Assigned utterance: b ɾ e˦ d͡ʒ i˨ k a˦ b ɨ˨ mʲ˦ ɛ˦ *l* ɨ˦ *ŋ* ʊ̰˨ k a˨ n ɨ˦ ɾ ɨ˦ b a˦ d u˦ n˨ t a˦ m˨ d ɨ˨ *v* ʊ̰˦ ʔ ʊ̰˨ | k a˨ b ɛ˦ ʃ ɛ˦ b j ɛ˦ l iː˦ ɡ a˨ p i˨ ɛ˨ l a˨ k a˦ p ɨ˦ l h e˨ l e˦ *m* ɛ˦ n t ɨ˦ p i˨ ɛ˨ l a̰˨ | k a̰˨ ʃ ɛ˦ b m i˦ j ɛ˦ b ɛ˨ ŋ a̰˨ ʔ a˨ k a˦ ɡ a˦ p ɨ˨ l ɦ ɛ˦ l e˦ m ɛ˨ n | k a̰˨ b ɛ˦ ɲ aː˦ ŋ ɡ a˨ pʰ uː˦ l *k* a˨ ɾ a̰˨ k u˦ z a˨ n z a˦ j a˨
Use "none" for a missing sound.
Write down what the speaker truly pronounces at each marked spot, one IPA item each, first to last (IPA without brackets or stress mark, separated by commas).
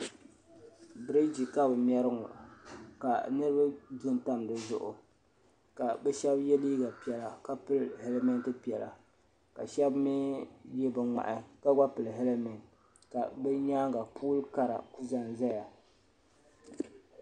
ɾ, ŋ, z, m, k